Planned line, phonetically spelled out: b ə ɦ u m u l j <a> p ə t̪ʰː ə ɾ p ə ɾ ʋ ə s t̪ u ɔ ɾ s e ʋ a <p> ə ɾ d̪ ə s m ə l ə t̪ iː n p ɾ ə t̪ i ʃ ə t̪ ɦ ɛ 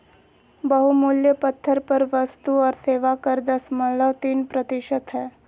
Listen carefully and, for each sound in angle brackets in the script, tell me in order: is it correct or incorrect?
incorrect: ə, incorrect: k

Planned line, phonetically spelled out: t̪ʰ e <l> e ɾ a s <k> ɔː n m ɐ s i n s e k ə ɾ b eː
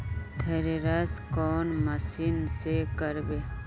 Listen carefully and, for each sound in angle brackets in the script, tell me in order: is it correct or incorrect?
incorrect: ɾ, correct

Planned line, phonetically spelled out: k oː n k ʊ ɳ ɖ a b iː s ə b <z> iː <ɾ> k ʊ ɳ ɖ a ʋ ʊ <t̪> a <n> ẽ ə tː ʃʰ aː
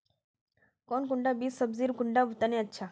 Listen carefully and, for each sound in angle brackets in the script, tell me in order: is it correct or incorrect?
correct, correct, correct, correct

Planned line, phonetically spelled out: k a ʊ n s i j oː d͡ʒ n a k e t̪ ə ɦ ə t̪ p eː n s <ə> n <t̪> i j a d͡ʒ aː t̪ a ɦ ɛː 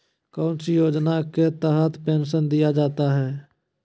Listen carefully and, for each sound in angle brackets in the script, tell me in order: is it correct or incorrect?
correct, incorrect: d̪

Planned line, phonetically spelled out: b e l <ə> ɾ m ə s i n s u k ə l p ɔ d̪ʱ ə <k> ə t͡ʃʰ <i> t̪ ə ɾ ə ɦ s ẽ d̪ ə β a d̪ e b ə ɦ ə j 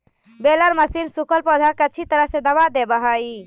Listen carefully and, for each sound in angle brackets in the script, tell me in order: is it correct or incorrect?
correct, correct, correct

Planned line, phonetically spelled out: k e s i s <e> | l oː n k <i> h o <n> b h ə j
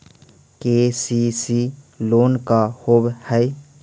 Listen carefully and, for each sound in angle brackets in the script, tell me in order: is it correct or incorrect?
incorrect: i, incorrect: a, incorrect: none

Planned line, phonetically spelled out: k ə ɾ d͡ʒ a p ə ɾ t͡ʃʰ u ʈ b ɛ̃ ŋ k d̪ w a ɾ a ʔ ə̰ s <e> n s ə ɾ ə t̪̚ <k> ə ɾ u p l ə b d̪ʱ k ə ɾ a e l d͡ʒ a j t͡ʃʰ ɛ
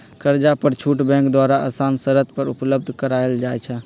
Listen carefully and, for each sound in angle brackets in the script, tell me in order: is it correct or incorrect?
incorrect: a, incorrect: p

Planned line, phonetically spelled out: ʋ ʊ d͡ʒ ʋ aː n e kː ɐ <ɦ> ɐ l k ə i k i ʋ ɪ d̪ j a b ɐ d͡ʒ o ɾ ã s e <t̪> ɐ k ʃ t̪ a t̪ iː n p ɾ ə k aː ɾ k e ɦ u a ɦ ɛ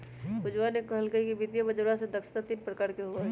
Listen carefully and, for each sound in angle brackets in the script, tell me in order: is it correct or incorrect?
correct, incorrect: d̪

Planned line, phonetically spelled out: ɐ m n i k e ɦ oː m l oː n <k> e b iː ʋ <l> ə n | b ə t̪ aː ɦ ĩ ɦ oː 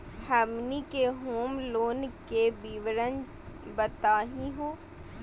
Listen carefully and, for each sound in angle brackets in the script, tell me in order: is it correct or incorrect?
correct, incorrect: ɾ

